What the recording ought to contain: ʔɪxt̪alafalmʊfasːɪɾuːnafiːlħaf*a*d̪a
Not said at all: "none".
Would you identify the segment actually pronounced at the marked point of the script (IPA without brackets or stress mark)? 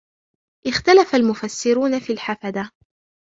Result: a